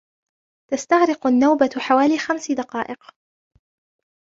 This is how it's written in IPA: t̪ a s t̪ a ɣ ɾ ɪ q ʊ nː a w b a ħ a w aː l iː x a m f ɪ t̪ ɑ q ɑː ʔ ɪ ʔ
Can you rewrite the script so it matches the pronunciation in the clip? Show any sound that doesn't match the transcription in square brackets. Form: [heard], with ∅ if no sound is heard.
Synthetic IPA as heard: t̪ a s t̪ a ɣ ɾ ɪ q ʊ nː a w b a ħ a w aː l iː x a m [s] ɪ [d̪] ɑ q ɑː ʔ ɪ [q]